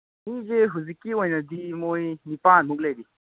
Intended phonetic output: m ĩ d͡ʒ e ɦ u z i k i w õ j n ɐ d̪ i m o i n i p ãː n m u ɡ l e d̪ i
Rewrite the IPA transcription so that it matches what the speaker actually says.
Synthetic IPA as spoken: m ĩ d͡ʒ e ɦ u z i k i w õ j n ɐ d̪ i m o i n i p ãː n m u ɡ l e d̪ i